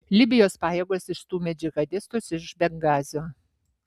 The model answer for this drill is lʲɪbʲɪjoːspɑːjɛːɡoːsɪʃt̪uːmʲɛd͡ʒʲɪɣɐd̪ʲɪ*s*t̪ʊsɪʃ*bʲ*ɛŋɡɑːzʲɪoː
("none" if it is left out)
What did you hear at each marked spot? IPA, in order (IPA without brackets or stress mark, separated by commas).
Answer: s, bʲ